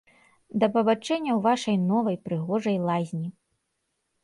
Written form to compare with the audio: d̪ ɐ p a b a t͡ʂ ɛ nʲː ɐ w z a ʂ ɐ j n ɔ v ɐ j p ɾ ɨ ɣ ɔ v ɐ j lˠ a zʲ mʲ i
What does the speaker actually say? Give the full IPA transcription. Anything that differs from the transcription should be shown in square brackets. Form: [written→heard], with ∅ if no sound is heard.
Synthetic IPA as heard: d̪ ɐ p [a→ɐ] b a t͡ʂ ɛ nʲː ɐ w [z→v] a ʂ ɐ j n ɔ v ɐ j p ɾ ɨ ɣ ɔ [v→ʐ] ɐ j lˠ a zʲ [mʲ→nʲ] i